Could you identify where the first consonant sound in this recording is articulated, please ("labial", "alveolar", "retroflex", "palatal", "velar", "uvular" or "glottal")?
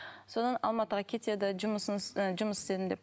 alveolar